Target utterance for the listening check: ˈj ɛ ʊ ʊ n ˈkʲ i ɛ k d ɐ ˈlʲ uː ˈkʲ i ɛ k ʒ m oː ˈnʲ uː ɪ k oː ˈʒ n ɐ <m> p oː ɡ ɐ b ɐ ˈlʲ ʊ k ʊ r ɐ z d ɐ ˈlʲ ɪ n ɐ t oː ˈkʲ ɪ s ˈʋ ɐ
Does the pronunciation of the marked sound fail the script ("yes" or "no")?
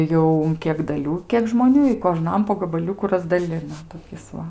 no